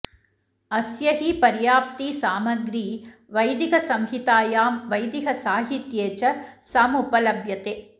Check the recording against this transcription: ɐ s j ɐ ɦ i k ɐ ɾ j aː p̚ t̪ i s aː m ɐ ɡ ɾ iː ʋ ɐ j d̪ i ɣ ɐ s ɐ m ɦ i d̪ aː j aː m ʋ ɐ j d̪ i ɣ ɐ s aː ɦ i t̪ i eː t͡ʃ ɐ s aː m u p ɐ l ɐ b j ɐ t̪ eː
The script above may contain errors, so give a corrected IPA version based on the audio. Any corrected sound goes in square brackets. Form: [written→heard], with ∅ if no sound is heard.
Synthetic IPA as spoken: ɐ s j ɐ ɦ i [k→p] ɐ ɾ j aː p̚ t̪ i s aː m ɐ ɡ ɾ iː ʋ ɐ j d̪ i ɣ ɐ s ɐ m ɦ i [d̪→t̪] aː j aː m ʋ ɐ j d̪ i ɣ ɐ s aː ɦ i t̪ [i→j] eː t͡ʃ ɐ s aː m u p ɐ l ɐ b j ɐ t̪ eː